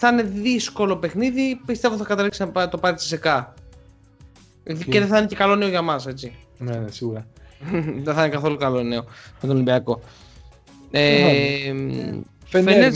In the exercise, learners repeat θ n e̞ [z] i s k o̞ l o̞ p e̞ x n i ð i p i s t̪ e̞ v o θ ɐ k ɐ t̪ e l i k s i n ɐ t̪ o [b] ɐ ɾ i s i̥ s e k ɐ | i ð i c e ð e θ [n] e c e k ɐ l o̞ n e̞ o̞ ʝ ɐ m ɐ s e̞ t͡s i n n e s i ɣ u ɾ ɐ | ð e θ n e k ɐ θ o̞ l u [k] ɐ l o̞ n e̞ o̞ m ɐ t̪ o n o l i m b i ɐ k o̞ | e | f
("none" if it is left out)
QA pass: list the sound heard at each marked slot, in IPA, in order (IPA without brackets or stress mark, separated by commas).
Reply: ð, p, n, k